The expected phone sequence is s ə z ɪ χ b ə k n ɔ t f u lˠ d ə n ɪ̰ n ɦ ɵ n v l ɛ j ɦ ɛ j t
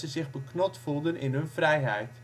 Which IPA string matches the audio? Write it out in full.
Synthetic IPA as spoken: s ə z ɪ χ b ə k n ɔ t f u lˠ d ə n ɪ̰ n ɦ ɵ n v r ɛ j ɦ ɛ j t